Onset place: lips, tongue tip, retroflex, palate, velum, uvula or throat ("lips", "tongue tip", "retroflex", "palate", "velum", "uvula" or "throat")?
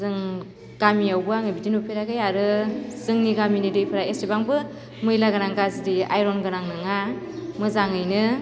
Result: tongue tip